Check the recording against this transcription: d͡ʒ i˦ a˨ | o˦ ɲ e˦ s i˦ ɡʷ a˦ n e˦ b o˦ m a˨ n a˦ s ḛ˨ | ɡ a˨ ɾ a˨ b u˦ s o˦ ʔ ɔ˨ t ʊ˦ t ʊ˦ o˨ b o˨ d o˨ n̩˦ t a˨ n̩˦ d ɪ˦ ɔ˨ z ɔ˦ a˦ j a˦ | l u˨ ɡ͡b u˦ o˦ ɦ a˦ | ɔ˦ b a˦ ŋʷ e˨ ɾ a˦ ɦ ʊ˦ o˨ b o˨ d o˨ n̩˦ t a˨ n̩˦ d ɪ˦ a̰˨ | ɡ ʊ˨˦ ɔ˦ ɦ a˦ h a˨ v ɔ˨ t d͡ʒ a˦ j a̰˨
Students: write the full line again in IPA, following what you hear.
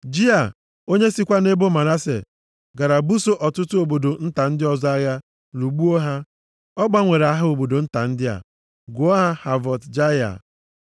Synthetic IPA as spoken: d͡ʒ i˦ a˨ | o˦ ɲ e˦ s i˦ kʷ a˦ n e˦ b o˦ m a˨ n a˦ s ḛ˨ | ɡ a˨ ɾ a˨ b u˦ s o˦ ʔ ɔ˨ t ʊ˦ t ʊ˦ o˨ b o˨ d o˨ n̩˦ t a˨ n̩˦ d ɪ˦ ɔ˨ z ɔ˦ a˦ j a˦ | l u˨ ɡ͡b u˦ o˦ ɦ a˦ | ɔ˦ ɡ͡b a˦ ŋʷ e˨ ɾ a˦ ɦ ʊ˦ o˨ b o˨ d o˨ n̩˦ t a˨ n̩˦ d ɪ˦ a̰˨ | ɡ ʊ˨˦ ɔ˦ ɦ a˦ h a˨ v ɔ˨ t d͡ʒ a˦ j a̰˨